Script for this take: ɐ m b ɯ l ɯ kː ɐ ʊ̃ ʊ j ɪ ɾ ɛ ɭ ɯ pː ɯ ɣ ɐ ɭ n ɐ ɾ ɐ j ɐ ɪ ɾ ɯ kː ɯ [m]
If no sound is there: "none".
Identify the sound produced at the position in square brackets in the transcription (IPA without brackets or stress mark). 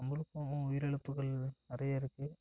none